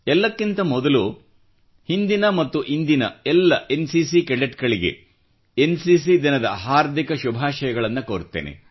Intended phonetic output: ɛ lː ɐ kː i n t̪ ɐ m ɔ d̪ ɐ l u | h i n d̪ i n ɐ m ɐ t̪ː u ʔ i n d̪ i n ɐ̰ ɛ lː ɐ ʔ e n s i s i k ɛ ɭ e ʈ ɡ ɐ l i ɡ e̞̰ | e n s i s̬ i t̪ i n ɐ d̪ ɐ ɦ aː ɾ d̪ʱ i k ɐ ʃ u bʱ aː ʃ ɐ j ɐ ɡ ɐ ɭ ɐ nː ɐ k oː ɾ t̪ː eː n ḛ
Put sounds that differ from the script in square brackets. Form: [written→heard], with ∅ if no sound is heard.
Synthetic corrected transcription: ɛ lː ɐ kː i n t̪ ɐ m ɔ d̪ ɐ l u | h i n d̪ i n ɐ m ɐ t̪ː u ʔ i n d̪ i n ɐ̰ ɛ lː ɐ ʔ e n s i s i k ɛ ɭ e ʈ ɡ ɐ [l→ɭ] i ɡ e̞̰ | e n s i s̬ i [t̪→d̪] i n ɐ d̪ ɐ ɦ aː ɾ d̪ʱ i k ɐ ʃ u bʱ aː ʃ ɐ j ɐ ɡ ɐ ɭ ɐ nː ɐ k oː ɾ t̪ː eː n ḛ